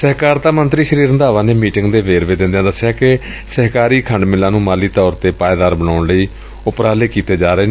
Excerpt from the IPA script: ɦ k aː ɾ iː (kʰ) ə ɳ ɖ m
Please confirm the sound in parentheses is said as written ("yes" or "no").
yes